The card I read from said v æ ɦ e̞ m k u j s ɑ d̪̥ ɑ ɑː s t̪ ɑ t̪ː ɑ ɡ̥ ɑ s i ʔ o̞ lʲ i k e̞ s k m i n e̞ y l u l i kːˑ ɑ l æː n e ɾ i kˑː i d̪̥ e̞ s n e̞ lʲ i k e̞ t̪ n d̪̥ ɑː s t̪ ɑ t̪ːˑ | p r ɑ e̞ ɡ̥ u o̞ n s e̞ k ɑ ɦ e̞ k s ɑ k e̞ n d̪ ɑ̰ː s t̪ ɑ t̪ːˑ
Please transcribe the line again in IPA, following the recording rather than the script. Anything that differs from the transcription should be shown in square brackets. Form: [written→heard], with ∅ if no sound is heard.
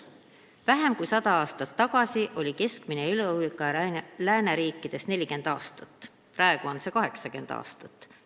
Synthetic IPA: v æ ɦ e̞ m k u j s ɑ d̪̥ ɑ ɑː s t̪ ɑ t̪ː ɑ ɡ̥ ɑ s i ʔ o̞ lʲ i k e̞ s k m i n e̞ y l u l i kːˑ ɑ l æː n e ɾ [i→iː] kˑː i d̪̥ e̞ s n e̞ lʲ i k e̞ [t̪→∅] n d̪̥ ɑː s t̪ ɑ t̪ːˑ | p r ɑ e̞ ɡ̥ u o̞ n s e̞ k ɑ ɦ e̞ k s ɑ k e̞ n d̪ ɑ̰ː s t̪ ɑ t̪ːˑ